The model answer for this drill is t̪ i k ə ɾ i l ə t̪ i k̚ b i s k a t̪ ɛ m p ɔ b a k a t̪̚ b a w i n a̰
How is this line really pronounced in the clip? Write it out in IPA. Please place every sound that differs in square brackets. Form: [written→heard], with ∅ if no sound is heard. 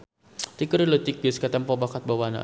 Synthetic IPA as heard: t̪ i k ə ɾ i l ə t̪ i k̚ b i s k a t̪ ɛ m p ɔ b a k a t̪̚ b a w [i→a] n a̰